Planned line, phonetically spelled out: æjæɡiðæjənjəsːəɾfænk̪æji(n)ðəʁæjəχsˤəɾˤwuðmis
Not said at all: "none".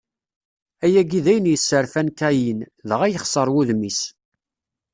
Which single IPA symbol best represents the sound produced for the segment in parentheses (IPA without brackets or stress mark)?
n